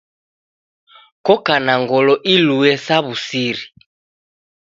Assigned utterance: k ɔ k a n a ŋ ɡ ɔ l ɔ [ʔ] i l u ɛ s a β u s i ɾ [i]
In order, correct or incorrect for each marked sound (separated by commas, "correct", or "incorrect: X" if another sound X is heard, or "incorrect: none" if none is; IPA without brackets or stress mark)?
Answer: correct, correct